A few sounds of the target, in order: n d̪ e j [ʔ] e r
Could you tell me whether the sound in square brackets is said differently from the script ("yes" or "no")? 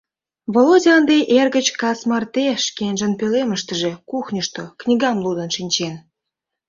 no